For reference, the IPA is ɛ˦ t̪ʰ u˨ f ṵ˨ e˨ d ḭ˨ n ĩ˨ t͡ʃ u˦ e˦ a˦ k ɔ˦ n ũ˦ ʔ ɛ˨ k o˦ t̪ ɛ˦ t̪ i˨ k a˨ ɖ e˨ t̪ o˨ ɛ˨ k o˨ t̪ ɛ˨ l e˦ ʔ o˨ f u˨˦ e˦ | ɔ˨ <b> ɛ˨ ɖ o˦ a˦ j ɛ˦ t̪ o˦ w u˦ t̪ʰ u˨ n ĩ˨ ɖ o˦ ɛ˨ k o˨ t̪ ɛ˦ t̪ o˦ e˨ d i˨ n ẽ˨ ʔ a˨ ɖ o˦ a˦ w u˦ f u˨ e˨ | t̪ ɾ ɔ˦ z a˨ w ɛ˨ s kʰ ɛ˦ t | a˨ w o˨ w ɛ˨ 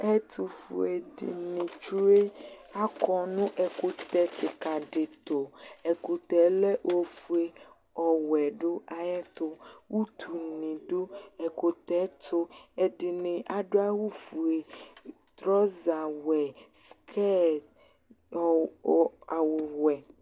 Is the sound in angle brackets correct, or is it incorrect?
incorrect